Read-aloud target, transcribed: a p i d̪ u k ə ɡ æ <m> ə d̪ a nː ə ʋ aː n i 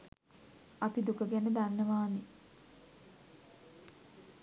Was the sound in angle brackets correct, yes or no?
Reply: no